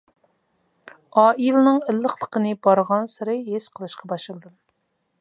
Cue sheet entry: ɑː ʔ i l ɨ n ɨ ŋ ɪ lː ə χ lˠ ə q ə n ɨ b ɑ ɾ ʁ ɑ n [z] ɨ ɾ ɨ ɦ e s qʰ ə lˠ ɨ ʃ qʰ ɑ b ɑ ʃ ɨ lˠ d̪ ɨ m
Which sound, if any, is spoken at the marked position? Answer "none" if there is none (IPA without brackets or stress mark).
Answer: s